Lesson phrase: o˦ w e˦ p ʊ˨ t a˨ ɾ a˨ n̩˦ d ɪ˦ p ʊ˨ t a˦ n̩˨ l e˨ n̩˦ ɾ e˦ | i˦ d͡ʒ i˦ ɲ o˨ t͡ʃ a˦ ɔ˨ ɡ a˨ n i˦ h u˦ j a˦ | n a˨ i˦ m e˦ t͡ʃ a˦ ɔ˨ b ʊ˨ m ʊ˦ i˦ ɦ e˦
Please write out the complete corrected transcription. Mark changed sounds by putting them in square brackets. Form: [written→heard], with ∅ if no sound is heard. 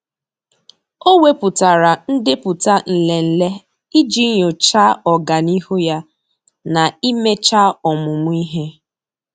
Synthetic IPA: o˦ w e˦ p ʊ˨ t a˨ ɾ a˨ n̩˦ d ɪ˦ p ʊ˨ t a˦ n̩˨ l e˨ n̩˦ [ɾ→l] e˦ | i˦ d͡ʒ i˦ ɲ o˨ t͡ʃ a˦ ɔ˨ ɡ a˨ n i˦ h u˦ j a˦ | n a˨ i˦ m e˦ t͡ʃ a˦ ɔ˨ [b→m] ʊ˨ m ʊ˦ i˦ ɦ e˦